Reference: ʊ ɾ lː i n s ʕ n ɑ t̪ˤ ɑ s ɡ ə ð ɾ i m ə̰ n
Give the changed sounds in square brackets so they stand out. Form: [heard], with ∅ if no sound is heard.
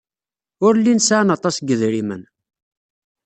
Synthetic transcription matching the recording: ʊ ɾ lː i n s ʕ n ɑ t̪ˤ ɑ s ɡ ə ð ɾ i m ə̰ n